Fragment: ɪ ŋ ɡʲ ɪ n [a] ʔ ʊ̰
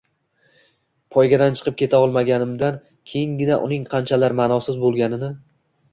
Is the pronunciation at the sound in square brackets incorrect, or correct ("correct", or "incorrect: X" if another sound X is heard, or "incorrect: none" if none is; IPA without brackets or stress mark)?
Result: correct